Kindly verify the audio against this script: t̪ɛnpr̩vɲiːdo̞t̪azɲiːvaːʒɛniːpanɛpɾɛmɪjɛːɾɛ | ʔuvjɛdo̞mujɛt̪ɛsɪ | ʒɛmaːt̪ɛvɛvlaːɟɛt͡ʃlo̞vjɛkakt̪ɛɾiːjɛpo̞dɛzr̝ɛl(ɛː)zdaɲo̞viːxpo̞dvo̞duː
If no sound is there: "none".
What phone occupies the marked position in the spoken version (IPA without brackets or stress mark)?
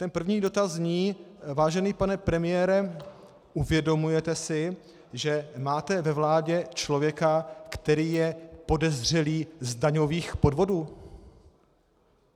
iː